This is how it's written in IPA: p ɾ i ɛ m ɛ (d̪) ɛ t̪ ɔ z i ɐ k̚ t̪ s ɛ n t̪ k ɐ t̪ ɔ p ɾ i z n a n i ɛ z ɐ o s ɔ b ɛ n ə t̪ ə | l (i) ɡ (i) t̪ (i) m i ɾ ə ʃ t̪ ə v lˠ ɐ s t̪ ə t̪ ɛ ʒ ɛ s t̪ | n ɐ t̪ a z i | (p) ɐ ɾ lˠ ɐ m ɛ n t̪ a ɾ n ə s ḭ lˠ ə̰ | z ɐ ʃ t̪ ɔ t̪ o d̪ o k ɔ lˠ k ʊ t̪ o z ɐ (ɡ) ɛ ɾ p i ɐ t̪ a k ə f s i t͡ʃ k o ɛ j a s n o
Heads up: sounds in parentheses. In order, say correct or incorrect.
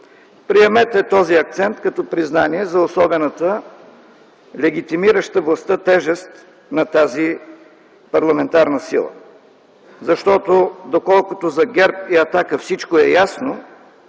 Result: incorrect: t̪, incorrect: ɛ, correct, correct, correct, correct

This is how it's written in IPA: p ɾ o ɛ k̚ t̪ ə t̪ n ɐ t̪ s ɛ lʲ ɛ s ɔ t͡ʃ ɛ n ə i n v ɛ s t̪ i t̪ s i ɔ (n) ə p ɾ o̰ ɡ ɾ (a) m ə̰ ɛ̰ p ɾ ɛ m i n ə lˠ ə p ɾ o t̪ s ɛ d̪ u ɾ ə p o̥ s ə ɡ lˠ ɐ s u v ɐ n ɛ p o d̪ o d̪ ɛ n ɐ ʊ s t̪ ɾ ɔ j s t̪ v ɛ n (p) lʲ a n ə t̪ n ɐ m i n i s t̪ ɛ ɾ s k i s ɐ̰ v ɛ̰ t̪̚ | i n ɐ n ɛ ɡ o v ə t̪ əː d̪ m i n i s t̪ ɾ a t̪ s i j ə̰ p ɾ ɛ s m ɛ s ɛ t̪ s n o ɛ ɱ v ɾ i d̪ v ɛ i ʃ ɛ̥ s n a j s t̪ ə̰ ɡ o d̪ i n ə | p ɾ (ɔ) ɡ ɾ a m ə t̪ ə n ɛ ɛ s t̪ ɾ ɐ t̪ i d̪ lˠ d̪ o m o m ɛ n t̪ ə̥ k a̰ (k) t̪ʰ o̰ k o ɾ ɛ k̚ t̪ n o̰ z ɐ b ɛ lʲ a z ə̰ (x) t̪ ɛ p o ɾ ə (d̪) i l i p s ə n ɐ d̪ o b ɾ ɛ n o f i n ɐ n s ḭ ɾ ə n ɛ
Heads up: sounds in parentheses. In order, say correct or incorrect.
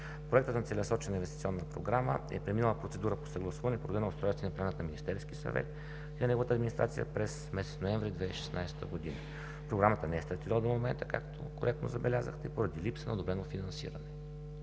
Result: incorrect: nː, correct, correct, incorrect: o, correct, correct, correct

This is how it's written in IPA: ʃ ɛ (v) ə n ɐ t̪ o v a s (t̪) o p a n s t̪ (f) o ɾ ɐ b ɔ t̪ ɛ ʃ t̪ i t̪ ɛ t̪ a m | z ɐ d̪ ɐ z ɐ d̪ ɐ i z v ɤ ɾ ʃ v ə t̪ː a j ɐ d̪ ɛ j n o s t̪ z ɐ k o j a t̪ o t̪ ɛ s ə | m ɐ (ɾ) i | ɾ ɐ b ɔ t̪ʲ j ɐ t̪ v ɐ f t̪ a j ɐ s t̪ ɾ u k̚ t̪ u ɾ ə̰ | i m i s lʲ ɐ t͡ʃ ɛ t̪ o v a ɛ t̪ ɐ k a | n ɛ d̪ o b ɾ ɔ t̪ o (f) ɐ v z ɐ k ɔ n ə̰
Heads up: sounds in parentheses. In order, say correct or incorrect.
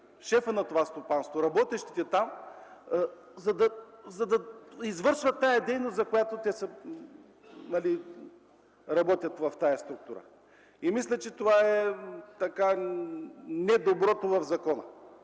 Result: incorrect: f, correct, incorrect: v, incorrect: l, incorrect: v

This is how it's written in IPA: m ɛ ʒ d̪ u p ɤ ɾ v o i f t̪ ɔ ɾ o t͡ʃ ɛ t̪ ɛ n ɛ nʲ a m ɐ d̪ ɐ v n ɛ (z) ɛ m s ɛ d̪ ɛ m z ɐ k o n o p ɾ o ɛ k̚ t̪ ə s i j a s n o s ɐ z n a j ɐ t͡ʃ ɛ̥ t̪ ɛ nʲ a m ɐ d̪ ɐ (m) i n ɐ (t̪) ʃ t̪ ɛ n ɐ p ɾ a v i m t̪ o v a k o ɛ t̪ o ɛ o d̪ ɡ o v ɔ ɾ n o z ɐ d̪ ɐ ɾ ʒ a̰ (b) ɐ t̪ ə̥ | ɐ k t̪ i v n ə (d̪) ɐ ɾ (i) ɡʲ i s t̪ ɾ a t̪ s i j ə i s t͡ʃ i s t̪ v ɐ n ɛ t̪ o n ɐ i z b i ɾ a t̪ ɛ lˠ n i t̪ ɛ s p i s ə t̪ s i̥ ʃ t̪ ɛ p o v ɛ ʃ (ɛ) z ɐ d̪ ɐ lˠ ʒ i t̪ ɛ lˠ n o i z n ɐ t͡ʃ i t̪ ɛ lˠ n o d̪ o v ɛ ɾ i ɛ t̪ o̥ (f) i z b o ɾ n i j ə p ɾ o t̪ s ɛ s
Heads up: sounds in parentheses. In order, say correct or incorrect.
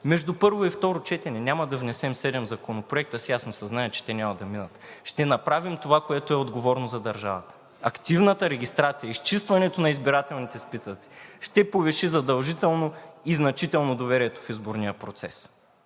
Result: incorrect: s, correct, correct, incorrect: v, incorrect: t̪, incorrect: ɛ, incorrect: i, correct

